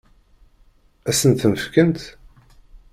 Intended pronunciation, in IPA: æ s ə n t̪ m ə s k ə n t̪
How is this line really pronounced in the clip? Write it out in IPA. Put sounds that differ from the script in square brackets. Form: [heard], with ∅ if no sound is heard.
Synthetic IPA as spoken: æ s ə n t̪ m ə [f] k ə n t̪